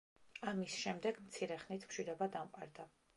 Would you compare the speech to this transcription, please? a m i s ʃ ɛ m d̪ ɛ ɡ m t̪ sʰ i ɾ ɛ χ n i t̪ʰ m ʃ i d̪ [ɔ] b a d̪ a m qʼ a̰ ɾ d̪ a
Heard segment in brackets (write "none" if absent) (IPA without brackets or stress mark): ɔ